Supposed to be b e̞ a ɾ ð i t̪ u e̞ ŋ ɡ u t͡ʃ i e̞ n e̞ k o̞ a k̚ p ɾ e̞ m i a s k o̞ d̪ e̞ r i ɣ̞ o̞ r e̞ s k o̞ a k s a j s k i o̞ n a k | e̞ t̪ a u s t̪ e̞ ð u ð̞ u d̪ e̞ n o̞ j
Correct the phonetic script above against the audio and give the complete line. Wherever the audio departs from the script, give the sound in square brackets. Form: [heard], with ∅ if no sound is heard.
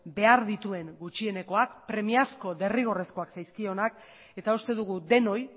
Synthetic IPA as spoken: b e̞ a ɾ ð i t̪ u e̞ ŋ ɡ u t͡ʃ i e̞ n e̞ k o̞ a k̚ p ɾ e̞ m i a s k o̞ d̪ e̞ r i ɣ̞ o̞ r e̞ s k o̞ a k s a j s k i o̞ n a k | e̞ t̪ a u s t̪ e̞ ð u [ɣ̞] u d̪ e̞ n o̞ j